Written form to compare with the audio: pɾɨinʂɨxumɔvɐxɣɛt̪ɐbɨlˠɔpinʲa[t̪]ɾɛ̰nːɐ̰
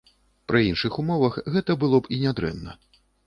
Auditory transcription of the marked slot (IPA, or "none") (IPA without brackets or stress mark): d̪